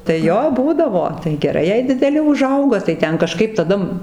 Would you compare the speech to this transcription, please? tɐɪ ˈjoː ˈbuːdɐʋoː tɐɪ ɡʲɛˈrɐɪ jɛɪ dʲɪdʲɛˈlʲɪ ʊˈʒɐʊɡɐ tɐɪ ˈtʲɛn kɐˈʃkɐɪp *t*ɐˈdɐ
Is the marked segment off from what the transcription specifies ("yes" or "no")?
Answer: no